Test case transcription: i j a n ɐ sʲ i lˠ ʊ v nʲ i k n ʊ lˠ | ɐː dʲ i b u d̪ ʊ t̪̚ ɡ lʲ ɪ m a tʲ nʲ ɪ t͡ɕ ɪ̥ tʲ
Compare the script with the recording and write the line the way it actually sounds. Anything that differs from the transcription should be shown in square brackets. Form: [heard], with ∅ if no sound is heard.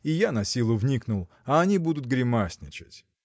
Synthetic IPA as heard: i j a n ɐ sʲ i lˠ ʊ v nʲ i k n ʊ lˠ | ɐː [nʲ] i b u d̪ ʊ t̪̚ ɡ [ɾʲ] ɪ m a [sʲ] nʲ ɪ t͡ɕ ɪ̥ tʲ

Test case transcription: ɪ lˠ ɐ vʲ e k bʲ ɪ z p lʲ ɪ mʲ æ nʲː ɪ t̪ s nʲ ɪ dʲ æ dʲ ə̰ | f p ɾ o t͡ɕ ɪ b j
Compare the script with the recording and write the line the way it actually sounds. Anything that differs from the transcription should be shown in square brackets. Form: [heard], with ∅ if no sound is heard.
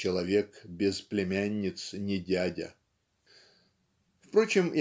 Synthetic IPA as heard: ɪ lˠ ɐ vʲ e k bʲ ɪ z p lʲ ɪ mʲ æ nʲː ɪ t̪ s nʲ ɪ dʲ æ dʲ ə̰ | f p ɾ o t͡ɕ ɪ [m] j

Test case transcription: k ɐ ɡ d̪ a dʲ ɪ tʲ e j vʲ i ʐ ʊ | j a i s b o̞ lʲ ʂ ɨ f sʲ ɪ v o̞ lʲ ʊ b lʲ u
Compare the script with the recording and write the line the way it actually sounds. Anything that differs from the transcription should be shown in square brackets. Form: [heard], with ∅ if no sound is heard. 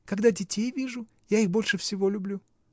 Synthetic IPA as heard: k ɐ ɡ d̪ a dʲ ɪ tʲ e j vʲ i ʐ ʊ | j a i [x] b o̞ lʲ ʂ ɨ f sʲ ɪ v o̞ lʲ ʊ b lʲ u

